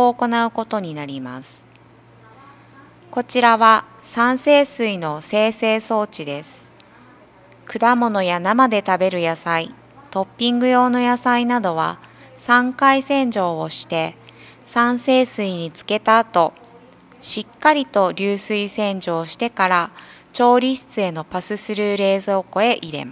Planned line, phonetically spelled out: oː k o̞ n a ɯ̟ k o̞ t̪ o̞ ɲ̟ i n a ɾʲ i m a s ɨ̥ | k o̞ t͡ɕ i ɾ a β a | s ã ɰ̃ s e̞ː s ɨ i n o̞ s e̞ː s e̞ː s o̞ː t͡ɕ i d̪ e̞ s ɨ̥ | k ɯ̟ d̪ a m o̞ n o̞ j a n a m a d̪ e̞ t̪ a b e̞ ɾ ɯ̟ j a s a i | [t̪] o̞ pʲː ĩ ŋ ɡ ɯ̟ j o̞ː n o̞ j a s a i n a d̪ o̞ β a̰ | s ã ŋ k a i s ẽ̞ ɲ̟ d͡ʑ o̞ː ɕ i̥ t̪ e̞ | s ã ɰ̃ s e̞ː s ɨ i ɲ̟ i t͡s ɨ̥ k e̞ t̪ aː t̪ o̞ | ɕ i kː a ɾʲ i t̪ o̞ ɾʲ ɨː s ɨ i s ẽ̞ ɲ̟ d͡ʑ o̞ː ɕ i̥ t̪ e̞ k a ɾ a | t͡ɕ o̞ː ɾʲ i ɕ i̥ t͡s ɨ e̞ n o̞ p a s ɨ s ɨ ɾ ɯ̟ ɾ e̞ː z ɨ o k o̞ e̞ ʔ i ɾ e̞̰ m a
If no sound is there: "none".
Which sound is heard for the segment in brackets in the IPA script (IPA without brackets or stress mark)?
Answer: t̪